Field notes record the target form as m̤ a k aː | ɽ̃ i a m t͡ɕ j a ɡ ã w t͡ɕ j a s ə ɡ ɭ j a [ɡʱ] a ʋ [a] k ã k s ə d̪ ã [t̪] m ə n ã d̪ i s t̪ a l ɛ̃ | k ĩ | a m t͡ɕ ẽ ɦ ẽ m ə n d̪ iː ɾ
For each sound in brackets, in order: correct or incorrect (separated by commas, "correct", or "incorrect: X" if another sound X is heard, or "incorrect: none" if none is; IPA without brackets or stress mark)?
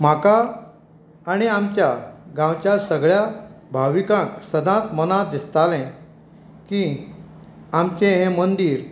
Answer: incorrect: bʱ, incorrect: i, correct